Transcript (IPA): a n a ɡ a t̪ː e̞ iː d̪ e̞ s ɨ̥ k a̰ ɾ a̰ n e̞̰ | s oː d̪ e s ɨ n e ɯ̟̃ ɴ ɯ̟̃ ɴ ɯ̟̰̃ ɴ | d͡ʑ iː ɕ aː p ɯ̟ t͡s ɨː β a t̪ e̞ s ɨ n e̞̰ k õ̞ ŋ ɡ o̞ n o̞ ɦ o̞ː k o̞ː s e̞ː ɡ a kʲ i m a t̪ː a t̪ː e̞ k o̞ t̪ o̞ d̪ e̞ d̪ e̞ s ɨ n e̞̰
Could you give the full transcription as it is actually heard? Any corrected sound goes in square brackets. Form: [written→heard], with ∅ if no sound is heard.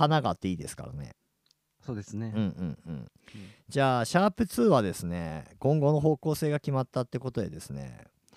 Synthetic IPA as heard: a n a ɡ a t̪ː e̞ iː d̪ e̞ s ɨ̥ k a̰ ɾ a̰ n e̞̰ | s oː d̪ e s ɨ n e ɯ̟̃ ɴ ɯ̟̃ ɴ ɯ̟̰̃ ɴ | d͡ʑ [iː→aː] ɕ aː p ɯ̟ t͡s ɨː β a [t̪→d̪] e̞ s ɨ n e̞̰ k õ̞ ŋ ɡ o̞ n o̞ ɦ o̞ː k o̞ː s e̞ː ɡ a kʲ i m a t̪ː a t̪ː e̞ k o̞ t̪ o̞ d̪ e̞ d̪ e̞ s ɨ n e̞̰